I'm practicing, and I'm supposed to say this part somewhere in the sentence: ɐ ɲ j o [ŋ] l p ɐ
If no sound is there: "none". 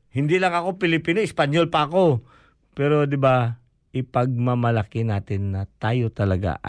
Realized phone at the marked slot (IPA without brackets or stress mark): none